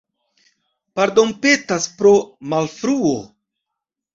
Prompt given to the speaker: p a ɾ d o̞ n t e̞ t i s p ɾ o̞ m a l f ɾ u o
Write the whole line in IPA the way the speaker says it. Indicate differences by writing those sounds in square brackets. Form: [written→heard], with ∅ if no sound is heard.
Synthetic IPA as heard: p a ɾ d o̞ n [t→p] e̞ t [i→a] s p ɾ o̞ m a l f ɾ u o